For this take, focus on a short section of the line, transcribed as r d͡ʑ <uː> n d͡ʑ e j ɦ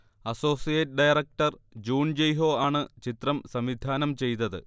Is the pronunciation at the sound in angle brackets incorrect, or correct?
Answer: correct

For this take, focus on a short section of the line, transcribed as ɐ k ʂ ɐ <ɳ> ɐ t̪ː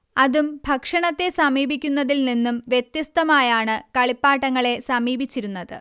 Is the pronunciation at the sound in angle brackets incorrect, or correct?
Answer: correct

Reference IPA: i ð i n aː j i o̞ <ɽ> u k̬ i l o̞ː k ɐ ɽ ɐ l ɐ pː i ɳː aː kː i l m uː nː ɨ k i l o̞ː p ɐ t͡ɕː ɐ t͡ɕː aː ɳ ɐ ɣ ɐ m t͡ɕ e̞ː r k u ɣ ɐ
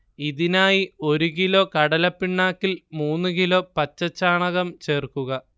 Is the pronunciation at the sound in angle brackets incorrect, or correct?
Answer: incorrect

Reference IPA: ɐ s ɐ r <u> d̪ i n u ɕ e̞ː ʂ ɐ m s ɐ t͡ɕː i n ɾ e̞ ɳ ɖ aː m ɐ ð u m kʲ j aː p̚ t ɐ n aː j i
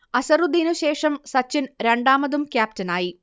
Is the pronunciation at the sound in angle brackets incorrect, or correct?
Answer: correct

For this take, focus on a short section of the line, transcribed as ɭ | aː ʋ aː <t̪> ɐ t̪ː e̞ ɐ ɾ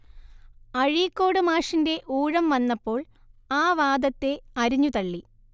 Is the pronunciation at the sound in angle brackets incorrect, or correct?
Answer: incorrect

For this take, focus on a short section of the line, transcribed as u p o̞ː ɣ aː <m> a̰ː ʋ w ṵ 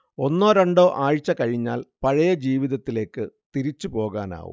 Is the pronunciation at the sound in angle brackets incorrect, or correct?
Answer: incorrect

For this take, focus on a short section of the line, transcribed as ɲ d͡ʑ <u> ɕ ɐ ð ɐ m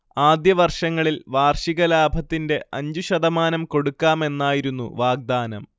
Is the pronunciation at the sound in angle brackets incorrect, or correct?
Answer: correct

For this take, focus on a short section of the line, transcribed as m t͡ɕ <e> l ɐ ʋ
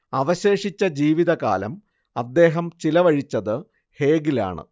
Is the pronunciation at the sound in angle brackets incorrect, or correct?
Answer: incorrect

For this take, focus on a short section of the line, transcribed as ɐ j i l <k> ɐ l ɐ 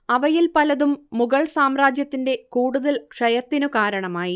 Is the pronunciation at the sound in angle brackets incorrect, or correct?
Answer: incorrect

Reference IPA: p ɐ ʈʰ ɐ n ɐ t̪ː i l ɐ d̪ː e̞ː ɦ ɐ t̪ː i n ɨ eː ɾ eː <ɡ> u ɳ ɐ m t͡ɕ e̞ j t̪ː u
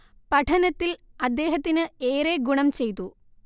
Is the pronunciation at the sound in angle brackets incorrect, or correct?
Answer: correct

